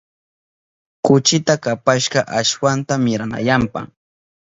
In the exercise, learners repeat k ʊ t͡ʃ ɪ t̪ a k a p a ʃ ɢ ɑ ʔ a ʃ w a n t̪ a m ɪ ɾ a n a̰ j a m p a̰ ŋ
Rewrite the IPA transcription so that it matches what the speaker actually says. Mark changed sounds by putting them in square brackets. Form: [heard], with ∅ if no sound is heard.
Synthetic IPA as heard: k ʊ t͡ʃ ɪ t̪ a k a p a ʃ ɢ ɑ ʔ a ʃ w a n t̪ a m ɪ ɾ a n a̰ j a m p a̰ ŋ